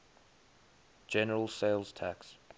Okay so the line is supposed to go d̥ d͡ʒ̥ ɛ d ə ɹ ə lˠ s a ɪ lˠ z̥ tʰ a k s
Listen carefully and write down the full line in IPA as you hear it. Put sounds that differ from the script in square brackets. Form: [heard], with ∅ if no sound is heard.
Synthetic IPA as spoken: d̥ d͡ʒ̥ ɛ [n] ə ɹ ə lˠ s [e] ɪ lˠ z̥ tʰ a k s